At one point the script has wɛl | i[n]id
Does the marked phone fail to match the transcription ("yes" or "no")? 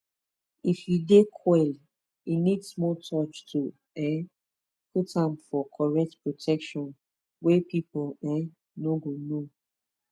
no